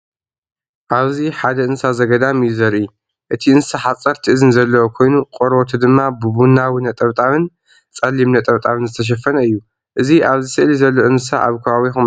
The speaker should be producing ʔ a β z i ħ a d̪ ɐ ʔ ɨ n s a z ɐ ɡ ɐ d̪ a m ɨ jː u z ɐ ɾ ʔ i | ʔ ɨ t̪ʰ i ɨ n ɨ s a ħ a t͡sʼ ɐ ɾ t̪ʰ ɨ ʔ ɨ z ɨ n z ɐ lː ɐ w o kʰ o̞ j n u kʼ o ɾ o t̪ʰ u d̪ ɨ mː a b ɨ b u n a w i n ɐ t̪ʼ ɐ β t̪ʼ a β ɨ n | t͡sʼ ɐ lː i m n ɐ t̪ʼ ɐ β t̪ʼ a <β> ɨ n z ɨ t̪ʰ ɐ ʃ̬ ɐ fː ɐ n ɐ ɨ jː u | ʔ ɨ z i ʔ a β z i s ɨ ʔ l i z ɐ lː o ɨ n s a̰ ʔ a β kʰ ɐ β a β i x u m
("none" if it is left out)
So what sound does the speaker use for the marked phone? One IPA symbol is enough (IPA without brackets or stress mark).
β